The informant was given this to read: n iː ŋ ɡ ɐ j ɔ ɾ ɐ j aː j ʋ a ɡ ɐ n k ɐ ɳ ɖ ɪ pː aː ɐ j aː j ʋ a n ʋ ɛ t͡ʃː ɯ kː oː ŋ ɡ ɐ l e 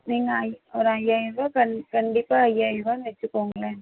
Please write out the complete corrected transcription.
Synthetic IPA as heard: n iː ŋ ɡ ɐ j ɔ ɾ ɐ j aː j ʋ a k ɐ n k ɐ ɳ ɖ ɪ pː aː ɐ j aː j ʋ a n ʋ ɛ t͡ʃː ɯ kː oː ŋ ɡ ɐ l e